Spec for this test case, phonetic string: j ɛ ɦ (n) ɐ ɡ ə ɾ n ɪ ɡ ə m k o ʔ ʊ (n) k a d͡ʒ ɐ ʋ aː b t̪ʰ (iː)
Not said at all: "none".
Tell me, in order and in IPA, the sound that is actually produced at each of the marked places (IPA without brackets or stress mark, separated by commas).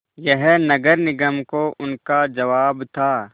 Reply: n, n, aː